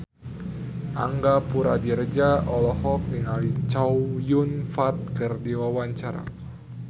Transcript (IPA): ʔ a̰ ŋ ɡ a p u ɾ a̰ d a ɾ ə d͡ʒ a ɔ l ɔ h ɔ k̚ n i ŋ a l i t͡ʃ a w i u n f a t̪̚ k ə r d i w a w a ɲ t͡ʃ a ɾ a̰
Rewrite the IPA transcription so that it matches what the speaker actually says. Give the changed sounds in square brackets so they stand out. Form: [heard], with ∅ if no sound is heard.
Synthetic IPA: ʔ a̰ ŋ ɡ a p u ɾ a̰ d [i] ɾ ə d͡ʒ a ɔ l ɔ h ɔ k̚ n i ŋ a l i t͡ʃ a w [j] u n f a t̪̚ k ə r d i w a w a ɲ t͡ʃ a ɾ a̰